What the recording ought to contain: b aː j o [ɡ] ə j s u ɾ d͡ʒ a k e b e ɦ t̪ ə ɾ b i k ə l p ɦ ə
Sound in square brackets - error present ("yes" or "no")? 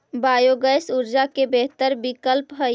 no